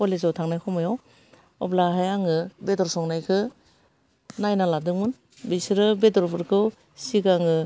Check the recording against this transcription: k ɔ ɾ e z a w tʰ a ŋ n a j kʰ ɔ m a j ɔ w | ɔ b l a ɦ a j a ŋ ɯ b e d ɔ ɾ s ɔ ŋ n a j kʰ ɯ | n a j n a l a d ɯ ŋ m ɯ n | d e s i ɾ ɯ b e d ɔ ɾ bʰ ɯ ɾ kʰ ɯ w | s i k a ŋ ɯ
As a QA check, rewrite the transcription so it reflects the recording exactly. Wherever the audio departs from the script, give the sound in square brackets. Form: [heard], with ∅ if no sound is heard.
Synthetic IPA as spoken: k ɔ [l] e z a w tʰ a ŋ n a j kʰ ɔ m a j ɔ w | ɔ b l a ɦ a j a ŋ ɯ b e d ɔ ɾ s ɔ ŋ n a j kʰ ɯ | n a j n a l a d ɯ ŋ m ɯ n | [b] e s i ɾ ɯ b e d ɔ ɾ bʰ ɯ ɾ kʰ ɯ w | s i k a ŋ ɯ